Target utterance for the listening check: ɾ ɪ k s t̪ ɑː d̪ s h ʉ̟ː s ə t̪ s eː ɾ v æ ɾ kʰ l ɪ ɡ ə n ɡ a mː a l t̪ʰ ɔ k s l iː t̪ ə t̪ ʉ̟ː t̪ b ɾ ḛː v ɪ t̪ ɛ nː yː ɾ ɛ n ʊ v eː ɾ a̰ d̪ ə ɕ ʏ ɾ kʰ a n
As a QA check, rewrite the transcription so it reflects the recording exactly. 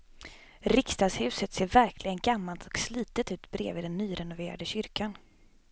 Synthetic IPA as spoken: ɾ ɪ k s t̪ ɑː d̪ s h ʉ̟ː s ə t̪ s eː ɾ v æ ɾ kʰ l ɪ ɡ ə n ɡ a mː a l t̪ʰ ɔ k s l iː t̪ ə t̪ ʉ̟ː t̪ b ɾ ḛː v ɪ d̪ ɛ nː yː ɾ ɛ n ʊ v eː ɾ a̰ d̪ ə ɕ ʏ ɾ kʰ a n

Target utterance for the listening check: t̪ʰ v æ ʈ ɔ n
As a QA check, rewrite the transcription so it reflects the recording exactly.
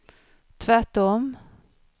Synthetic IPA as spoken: t̪ʰ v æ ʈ ɔ m

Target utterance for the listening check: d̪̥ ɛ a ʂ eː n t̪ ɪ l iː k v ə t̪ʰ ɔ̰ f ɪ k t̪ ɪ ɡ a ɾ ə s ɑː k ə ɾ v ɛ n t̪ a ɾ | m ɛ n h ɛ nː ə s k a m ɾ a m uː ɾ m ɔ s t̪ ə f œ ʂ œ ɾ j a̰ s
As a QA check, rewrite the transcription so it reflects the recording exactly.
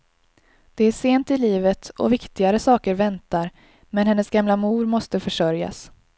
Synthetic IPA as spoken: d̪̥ ɛ æ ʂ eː n t̪ ɪ l iː v ə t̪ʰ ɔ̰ v ɪ k t̪ ɪ ɡ a ɾ ə s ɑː k ə ɾ v ɛ n t̪ a ɾ | m ɛ n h ɛ nː ə s ɡ a m l a m uː ɾ m ɔ s t̪ ə f œ ʂ œ ɾ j a̰ s

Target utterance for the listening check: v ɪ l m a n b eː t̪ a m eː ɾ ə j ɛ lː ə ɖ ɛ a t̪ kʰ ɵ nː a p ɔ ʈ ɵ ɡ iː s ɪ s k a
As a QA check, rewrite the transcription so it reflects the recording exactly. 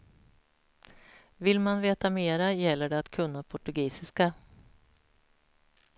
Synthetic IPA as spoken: v ɪ l m a n v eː t̪ a m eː ɾ a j ɛ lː ə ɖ ɛ a t̪ kʰ ɵ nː a pʰ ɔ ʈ ɵ ɡ iː s ɪ s k a

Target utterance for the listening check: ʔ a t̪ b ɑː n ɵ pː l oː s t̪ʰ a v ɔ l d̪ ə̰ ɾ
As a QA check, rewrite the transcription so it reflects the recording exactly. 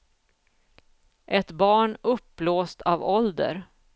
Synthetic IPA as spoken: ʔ ɛ t̪ b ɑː ɳ ɵ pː l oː s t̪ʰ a v ɔ l d̪ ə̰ ɾ

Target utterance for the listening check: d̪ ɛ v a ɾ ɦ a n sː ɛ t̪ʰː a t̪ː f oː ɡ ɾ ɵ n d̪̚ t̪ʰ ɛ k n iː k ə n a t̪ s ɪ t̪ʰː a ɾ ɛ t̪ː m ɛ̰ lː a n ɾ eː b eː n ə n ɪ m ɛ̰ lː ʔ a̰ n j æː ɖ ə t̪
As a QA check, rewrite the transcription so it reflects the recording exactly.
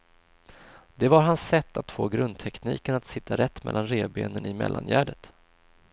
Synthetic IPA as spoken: d̪ ɛ v a ɾ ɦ a n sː ɛ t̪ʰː a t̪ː f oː ɡ ɾ ɵ n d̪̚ t̪ʰ ɛ k n iː k ə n a t̪ s ɪ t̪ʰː a ɾ ɛ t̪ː m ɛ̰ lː a n ɾ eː b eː n ə n ɪ m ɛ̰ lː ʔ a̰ n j æː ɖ ə t̪

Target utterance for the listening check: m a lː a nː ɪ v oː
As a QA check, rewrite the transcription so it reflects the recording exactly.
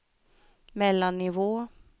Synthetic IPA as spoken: m ɛ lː a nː ɪ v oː

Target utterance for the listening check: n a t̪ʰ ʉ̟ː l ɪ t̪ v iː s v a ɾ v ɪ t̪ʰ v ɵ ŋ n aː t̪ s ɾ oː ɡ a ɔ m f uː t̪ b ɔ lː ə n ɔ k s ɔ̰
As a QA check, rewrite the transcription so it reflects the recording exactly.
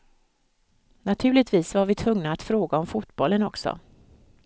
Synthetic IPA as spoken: n a t̪ʰ ʉ̟ː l ɪ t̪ v iː s v a ɾ v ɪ t̪ʰ v ɵ ŋ n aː t̪ f ɾ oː ɡ a ɔ m f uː t̪ b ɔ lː ə n ɔ k s ɔ̰

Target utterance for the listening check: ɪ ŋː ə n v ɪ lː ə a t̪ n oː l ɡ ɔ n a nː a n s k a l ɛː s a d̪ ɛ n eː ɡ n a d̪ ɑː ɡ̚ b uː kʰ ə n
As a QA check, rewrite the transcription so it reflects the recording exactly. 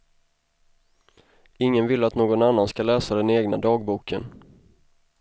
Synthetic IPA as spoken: ɪ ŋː ə n v ɪ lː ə a t̪ n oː ɡ ɔ n a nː a n s k a l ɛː s a d̪ ɛ n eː ɡ n a d̪ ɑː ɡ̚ b uː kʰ ə n

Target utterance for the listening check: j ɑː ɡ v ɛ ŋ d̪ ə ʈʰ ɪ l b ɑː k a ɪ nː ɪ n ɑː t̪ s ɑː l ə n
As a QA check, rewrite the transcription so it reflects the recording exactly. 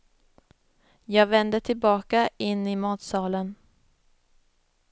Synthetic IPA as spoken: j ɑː ɡ v ɛ n d̪ ə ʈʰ ɪ l b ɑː k a ɪ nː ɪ m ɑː t̪ s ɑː l ə n

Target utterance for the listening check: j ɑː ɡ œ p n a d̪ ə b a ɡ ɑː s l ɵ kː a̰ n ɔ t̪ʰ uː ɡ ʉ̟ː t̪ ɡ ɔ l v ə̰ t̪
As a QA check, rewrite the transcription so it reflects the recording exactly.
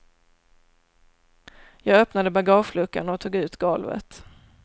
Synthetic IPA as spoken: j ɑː ɡ œ p n a d̪ ə b a ɡ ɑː ʂ l ɵ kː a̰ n ɔ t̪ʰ uː ɡ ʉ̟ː t̪ ɡ ɔ l v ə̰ t̪

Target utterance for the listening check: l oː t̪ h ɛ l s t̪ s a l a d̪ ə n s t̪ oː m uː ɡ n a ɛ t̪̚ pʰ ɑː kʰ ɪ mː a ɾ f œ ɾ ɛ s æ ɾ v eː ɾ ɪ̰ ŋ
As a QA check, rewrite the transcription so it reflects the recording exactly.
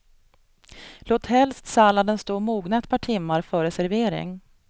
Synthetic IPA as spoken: l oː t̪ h ɛ l s t̪ s a l a d̪ ə n s t̪ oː m uː ɡ n a ɛ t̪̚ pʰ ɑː ʈʰ ɪ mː a ɾ f œ ɾ ɛ s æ ɾ v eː ɾ ɪ̰ ŋ

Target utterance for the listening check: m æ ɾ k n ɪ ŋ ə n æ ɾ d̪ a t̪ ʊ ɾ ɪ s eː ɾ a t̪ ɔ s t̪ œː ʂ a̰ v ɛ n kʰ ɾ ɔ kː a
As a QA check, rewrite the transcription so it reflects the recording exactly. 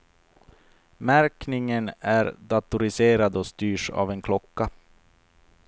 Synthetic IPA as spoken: m æ ɾ k n ɪ ŋ ə n æ ɾ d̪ a t̪ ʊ ɾ ɪ s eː ɾ a d̪ ɔ s t̪ yː ʂ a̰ v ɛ n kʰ l ɔ kː a

